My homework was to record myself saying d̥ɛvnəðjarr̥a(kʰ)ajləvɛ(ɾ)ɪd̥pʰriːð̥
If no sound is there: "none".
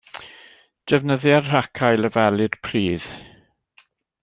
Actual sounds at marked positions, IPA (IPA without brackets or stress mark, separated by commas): kʰ, l